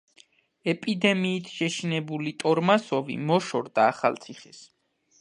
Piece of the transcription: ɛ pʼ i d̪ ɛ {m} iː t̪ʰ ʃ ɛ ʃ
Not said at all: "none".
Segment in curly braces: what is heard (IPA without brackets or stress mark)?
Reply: m